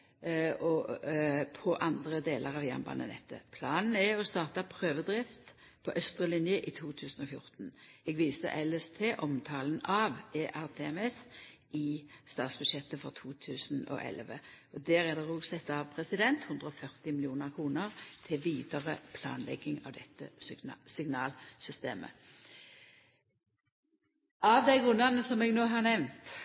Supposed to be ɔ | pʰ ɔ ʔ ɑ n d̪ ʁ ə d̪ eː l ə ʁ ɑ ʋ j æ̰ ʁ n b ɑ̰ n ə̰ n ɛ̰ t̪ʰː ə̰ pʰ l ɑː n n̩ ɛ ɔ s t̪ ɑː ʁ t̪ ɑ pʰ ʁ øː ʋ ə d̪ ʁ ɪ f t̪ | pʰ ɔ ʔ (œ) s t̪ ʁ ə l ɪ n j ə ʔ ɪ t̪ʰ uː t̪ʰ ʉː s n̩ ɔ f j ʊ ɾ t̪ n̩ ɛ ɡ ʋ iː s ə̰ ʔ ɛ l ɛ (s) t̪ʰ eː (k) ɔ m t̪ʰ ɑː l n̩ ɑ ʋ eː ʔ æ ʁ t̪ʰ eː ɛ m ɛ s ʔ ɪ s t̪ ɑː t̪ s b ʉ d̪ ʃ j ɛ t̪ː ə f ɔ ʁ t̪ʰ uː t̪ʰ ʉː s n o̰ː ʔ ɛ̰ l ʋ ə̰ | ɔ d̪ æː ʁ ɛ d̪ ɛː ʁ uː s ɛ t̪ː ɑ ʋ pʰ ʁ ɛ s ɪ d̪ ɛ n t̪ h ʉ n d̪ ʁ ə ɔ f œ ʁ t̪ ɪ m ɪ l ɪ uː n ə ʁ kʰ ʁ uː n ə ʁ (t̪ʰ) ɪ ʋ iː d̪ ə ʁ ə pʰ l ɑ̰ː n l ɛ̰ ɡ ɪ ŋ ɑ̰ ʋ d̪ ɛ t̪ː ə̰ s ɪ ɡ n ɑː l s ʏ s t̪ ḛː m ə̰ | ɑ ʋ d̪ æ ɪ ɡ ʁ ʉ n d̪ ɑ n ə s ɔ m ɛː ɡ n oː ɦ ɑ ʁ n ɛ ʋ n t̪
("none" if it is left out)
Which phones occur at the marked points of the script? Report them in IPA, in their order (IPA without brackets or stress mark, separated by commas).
œ, s, ʔ, t̪ʰ